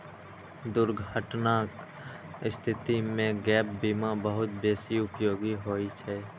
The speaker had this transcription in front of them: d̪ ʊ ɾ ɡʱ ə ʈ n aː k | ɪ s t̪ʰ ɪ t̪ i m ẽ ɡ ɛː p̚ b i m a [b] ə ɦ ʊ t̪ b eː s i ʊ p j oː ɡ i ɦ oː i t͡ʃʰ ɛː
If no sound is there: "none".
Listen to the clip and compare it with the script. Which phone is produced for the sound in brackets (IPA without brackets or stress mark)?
b